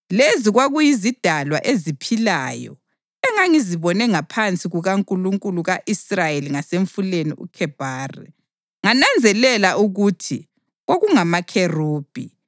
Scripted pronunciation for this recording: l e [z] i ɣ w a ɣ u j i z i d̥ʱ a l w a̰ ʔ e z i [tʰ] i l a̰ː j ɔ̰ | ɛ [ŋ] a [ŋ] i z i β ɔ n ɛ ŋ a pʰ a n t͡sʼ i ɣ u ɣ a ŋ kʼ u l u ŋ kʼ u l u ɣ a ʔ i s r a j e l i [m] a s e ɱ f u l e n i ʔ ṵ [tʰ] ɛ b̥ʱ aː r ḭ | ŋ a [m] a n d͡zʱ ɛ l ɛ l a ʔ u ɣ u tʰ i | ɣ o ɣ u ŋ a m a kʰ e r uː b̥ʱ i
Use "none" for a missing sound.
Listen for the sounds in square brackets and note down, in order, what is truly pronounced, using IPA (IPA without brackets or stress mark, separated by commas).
z, pʰ, ŋ, ŋ, ŋ, kʰ, n